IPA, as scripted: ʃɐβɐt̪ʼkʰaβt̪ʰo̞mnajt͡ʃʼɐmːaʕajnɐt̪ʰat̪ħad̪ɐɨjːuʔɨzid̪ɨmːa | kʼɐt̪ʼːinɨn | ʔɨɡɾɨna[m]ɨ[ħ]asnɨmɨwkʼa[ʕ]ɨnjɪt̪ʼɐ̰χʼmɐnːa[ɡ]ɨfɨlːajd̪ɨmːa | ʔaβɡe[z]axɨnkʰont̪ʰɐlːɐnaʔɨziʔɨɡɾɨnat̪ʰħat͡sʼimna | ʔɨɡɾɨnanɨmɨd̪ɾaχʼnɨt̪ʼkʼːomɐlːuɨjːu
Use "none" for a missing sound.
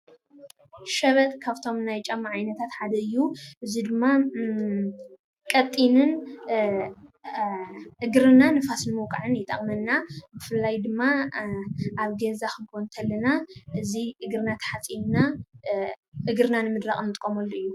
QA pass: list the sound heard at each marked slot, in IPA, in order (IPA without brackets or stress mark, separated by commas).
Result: n, f, ʕ, b, z